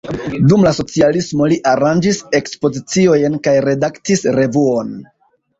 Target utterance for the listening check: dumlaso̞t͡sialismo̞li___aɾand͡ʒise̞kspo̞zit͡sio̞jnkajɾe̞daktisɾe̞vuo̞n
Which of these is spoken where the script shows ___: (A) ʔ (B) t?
A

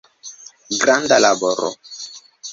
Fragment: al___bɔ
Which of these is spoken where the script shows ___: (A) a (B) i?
A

